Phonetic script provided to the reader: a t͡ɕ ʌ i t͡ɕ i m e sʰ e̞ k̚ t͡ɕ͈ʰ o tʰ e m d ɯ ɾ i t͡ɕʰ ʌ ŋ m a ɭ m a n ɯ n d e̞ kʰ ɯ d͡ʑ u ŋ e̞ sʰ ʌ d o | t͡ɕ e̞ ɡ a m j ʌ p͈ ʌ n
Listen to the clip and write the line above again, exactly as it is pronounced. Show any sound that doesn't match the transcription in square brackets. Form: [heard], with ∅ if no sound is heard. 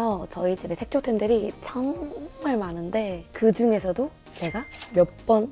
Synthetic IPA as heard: [ʌ] t͡ɕ ʌ i t͡ɕ i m e sʰ e̞ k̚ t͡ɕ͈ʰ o tʰ e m d ɯ ɾ i t͡ɕʰ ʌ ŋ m a ɭ m a n ɯ n d e̞ [k] ɯ d͡ʑ u ŋ e̞ sʰ ʌ d o | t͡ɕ e̞ ɡ a m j ʌ p͈ ʌ n